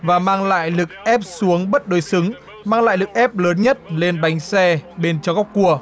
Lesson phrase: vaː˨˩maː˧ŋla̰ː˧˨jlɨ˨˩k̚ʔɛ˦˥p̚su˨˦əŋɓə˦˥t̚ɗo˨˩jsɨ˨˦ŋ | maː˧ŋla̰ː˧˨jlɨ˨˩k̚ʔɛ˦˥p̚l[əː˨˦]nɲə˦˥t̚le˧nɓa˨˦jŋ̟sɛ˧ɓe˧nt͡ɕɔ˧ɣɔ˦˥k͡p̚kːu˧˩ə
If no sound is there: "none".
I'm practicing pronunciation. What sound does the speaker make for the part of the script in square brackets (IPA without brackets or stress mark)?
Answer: əː˨˦